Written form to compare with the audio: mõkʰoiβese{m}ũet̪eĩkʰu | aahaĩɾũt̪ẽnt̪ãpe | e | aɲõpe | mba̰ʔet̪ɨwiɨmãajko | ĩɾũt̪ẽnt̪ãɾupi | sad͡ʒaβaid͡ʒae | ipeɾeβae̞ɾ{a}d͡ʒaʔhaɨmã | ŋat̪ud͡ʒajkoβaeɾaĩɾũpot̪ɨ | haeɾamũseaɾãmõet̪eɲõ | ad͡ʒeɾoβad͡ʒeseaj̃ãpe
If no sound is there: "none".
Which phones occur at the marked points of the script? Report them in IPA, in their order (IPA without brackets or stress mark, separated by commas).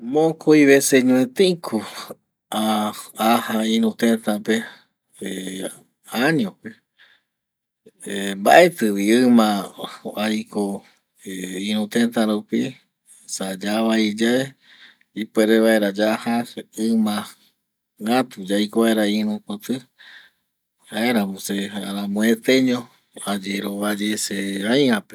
ɲ, a